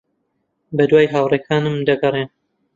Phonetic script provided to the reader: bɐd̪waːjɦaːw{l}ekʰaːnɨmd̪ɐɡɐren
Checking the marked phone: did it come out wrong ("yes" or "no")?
yes